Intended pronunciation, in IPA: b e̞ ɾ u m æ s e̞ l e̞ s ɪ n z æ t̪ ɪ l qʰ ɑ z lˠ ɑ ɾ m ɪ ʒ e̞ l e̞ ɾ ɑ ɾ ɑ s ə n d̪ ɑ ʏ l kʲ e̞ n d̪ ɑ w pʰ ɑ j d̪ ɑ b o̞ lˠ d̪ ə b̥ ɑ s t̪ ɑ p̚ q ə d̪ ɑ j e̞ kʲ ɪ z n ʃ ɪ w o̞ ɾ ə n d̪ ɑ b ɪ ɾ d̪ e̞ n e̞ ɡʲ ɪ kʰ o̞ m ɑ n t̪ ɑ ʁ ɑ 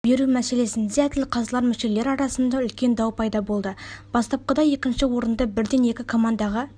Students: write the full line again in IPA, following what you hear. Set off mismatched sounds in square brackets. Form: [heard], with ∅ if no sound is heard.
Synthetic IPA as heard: b e̞ ɾ u m æ s e̞ l e̞ s ɪ n z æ t̪ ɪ l qʰ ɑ z lˠ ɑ ɾ m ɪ [ʃ] e̞ l e̞ ɾ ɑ ɾ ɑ s ə n d̪ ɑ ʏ l kʲ e̞ n d̪ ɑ w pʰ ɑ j d̪ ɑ b o̞ lˠ d̪ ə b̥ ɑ s t̪ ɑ p̚ q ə d̪ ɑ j e̞ kʲ ɪ [∅] n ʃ ɪ w o̞ ɾ ə n d̪ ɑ b ɪ ɾ d̪ e̞ n e̞ [kʲ] ɪ kʰ o̞ m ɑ n [d̪] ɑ ʁ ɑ